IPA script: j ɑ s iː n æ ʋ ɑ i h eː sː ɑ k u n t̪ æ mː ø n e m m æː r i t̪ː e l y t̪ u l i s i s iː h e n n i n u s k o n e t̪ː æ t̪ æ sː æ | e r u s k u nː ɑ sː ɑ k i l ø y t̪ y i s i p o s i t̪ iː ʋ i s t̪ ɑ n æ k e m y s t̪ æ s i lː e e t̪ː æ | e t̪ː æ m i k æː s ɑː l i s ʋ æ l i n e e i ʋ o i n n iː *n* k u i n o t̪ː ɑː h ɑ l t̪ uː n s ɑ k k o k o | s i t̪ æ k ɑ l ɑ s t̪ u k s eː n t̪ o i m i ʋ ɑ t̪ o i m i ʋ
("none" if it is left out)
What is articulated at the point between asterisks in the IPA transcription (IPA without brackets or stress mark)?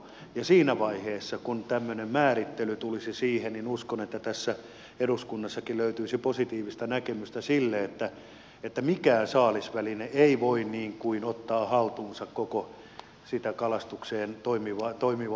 ŋ